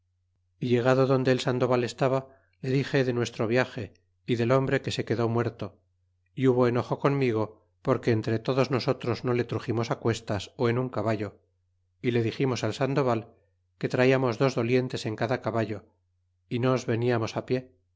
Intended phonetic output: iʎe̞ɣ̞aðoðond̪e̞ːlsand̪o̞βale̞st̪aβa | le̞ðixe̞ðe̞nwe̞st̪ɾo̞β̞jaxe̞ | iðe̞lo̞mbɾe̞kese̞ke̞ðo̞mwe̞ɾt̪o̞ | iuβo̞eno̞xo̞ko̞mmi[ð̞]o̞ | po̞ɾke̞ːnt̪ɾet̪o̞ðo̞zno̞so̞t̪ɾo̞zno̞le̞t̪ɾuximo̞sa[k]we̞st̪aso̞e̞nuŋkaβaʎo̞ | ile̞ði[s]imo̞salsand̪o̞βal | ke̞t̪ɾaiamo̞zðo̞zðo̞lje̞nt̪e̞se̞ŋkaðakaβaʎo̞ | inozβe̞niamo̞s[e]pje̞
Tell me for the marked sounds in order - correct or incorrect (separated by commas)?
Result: incorrect, correct, incorrect, incorrect